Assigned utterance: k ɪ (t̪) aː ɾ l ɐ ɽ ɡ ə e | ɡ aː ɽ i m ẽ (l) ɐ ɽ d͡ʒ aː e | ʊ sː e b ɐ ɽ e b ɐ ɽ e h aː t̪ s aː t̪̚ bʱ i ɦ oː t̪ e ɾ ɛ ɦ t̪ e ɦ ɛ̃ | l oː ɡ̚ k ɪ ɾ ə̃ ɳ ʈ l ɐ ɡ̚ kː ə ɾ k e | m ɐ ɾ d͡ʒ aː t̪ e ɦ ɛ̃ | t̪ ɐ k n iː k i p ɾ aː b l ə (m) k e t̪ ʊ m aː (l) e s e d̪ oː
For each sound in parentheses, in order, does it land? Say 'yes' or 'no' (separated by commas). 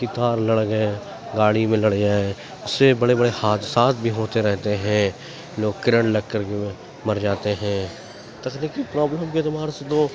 yes, yes, yes, no